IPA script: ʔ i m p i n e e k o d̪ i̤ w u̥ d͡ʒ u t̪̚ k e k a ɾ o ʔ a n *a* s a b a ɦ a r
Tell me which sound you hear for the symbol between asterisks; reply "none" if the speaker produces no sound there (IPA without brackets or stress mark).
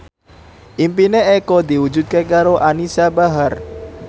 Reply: i